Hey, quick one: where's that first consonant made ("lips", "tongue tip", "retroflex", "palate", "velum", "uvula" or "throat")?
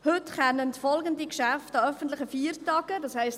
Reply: throat